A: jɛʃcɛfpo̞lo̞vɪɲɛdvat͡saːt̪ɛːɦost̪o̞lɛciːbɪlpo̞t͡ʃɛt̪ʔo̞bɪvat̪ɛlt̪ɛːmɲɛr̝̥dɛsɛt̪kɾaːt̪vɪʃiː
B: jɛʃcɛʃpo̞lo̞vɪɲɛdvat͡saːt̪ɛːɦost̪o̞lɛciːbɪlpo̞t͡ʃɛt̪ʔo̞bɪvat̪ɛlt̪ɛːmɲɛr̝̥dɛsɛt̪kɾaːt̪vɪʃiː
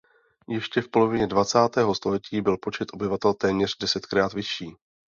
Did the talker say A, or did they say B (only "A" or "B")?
A